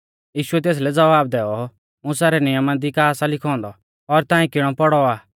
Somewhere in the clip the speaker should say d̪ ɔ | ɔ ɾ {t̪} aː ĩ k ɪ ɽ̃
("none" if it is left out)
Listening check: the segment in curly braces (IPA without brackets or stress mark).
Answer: t̪